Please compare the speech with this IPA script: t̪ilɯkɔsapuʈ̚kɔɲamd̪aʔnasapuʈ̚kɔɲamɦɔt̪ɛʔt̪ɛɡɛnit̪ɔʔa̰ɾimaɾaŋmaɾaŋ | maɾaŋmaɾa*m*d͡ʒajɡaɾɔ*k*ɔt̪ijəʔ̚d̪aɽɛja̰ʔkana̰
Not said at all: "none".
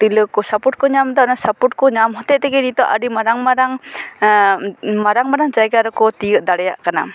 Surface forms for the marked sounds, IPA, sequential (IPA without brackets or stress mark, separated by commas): ŋ, k